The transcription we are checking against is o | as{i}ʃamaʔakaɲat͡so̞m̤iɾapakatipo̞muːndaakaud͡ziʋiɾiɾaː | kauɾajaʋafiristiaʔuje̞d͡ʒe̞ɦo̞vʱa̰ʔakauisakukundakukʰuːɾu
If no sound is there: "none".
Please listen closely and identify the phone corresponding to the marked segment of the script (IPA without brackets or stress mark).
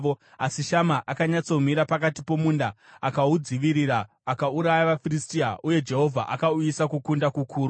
i